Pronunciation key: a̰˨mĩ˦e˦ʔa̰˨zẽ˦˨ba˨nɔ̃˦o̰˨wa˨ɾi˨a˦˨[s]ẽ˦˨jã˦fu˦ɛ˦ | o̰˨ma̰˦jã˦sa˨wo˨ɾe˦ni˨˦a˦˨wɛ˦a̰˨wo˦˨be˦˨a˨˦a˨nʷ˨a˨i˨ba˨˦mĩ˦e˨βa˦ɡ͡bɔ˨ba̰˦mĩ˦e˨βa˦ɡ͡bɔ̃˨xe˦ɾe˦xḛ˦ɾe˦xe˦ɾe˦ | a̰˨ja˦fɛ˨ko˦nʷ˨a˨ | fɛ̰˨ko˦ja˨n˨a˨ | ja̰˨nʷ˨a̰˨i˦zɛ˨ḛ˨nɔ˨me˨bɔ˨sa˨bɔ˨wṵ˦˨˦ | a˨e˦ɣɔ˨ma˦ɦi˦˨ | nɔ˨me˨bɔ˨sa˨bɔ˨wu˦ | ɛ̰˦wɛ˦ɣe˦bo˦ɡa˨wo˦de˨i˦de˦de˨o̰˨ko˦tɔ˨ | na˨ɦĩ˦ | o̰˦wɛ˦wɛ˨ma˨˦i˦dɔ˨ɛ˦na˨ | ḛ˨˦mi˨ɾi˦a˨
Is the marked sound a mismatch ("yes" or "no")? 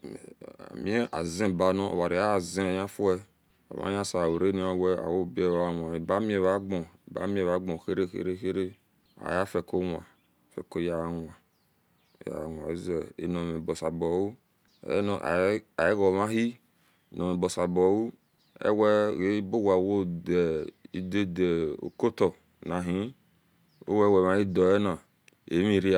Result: yes